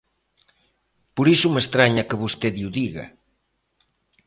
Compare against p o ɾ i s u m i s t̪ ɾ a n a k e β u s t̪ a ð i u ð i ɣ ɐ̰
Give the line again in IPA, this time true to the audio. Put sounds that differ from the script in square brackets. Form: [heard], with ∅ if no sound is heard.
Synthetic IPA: p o ɾ i s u m [e] s t̪ ɾ a [ɲ] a k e β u s t̪ [e] ð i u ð i ɣ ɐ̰